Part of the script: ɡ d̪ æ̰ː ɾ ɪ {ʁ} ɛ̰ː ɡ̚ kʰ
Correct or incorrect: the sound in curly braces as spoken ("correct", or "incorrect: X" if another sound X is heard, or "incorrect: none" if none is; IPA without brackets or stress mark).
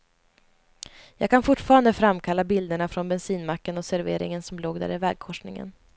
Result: incorrect: v